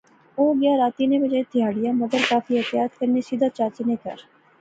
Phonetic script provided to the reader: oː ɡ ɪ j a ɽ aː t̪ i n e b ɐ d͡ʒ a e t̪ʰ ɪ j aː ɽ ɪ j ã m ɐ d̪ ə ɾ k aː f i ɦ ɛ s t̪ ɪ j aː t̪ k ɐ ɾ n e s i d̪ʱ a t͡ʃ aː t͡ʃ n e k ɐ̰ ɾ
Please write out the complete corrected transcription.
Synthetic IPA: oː ɡ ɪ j a ɾ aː t̪ i n e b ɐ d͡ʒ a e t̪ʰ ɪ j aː ɽ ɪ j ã m ɐ d̪ ə ɾ k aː f i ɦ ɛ t̪ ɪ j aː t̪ k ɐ ɾ n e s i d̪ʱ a t͡ʃ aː t͡ʃ n e k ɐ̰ ɾ